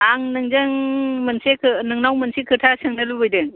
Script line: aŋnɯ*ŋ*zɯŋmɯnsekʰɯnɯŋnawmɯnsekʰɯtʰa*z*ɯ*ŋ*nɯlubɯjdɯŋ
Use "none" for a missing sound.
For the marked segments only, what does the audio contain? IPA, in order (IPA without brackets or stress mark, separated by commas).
ŋ, s, ŋ